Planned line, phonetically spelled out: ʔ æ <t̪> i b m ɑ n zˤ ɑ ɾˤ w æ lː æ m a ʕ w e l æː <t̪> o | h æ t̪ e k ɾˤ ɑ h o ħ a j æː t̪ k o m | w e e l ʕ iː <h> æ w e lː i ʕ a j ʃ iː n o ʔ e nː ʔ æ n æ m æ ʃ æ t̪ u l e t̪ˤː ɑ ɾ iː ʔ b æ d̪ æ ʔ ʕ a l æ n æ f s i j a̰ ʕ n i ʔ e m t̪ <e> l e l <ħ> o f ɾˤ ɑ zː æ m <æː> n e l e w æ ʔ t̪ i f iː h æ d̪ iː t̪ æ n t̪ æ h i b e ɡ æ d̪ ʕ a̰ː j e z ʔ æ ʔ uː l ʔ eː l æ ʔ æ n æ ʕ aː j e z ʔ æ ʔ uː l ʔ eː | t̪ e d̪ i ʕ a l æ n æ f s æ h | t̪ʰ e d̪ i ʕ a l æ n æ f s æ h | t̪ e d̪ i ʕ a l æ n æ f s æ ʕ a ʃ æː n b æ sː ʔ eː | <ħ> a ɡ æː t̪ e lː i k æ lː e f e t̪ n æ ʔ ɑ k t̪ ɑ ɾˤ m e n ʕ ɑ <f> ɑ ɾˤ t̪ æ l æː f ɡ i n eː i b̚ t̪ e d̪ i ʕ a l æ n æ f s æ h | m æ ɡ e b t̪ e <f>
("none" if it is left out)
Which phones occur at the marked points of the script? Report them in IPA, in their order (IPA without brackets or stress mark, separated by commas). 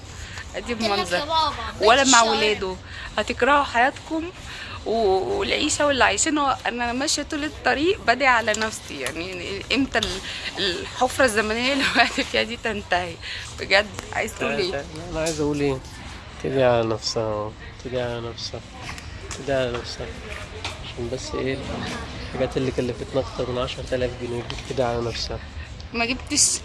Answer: d̪, d̪, ʃ, æ, ħ, æ, ħ, ʃ, ʃ